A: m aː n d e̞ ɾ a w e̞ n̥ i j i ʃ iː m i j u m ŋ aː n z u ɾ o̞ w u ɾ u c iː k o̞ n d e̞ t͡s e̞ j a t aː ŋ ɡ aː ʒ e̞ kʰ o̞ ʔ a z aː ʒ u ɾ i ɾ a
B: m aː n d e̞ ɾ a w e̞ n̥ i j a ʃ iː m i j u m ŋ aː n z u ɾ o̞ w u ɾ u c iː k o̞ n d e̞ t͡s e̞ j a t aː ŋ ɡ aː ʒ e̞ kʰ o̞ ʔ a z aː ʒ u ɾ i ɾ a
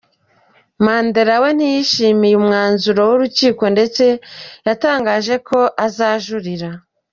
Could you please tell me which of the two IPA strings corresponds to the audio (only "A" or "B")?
A